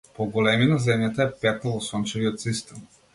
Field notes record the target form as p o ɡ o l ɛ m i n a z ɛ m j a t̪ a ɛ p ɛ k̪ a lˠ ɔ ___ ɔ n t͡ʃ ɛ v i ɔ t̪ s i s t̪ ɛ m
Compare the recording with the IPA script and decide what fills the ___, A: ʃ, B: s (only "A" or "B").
B